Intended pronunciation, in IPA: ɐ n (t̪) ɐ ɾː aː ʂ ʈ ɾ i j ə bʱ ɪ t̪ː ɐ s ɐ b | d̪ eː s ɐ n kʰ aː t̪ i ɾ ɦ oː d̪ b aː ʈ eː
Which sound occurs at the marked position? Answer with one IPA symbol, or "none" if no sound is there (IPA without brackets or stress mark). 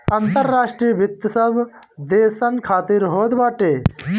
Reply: t̪